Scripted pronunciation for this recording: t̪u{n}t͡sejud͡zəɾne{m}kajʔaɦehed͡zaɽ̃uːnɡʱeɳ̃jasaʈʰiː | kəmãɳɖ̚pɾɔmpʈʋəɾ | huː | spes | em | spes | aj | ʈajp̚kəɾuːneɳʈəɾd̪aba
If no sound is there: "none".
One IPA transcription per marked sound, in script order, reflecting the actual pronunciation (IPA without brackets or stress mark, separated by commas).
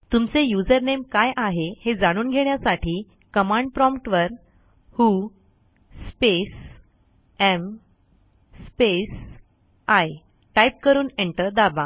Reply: m, m